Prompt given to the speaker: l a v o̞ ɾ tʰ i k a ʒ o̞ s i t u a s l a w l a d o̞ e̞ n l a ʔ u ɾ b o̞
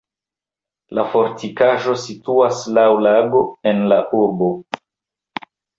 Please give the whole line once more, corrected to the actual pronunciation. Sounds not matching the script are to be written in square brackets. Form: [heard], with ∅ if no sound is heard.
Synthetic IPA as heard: l a [f] o̞ ɾ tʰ i k a ʒ o̞ s i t u a s l a w l a [ɡ] o̞ e̞ n l a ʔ u ɾ b o̞